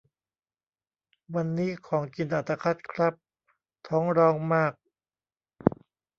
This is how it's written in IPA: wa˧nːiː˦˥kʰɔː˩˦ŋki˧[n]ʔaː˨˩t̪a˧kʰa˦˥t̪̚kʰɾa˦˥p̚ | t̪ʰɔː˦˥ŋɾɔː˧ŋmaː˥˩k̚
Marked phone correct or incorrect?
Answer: correct